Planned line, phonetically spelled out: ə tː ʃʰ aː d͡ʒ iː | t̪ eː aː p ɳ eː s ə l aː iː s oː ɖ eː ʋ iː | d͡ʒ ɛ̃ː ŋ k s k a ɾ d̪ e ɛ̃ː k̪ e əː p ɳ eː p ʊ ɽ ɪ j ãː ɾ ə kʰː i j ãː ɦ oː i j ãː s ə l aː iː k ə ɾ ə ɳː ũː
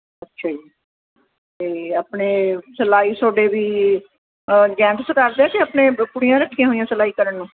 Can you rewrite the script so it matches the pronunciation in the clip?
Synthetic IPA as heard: ə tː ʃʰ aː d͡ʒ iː | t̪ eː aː p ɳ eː s ə l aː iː s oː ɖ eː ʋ iː | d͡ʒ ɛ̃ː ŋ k s k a ɾ d̪ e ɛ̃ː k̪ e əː p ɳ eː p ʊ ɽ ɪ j ãː ɾ ə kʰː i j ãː ɦ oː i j ãː s ə l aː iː k ə ɾ ə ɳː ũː